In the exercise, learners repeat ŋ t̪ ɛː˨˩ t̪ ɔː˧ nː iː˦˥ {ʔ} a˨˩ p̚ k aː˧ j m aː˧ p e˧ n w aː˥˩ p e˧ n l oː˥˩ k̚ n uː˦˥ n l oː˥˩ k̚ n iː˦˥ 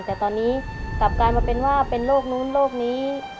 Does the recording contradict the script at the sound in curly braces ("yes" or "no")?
yes